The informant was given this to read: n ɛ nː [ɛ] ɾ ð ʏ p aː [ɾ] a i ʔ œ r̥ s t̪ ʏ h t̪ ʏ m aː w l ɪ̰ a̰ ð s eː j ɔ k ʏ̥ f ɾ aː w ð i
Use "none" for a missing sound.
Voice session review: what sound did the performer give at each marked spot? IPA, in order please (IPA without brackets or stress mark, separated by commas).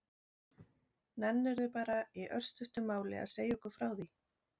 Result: ɛ, ɾ